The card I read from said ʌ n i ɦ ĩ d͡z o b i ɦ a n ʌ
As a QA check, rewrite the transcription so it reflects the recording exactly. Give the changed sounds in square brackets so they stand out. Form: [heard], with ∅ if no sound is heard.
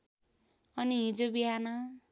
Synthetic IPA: ʌ n i ɦ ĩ d͡z o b i ɦ a n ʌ